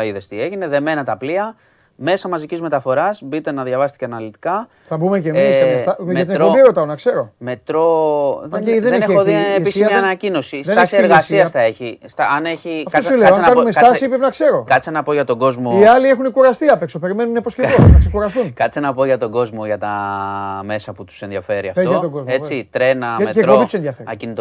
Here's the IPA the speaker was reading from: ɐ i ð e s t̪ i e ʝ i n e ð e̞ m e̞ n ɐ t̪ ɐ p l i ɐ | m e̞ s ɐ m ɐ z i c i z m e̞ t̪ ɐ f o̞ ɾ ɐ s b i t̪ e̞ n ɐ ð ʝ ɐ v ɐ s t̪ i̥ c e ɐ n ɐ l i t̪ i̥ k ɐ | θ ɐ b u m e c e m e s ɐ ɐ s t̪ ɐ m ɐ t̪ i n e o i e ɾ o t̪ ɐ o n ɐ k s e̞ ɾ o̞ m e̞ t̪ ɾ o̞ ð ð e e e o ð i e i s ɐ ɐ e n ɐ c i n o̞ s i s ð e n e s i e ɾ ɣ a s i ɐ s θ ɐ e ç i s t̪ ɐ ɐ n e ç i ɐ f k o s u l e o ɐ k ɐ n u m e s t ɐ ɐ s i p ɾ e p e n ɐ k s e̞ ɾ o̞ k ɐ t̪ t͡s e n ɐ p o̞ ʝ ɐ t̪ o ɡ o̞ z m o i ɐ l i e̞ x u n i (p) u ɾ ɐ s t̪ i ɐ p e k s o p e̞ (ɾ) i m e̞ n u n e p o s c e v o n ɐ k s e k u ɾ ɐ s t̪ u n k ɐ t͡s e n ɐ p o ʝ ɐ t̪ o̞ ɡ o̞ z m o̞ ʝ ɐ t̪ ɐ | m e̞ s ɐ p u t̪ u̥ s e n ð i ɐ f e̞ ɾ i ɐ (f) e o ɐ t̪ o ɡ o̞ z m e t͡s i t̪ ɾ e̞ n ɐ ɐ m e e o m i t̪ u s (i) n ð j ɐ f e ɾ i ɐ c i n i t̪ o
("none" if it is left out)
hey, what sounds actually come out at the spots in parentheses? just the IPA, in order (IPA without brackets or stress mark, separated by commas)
k, ɾ, f, e